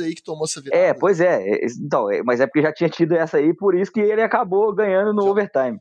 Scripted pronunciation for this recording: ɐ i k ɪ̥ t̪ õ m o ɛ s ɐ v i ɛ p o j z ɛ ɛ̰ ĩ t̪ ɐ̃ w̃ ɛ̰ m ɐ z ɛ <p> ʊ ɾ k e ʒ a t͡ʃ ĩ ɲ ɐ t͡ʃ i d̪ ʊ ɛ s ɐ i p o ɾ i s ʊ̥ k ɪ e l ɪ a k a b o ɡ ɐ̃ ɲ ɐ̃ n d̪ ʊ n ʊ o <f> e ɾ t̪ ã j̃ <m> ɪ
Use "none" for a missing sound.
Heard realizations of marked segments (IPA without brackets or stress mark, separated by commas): p, v, m